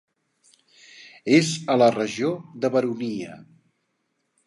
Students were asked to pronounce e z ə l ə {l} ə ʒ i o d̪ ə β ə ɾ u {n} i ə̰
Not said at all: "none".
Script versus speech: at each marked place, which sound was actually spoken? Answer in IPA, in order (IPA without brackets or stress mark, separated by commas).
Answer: r, n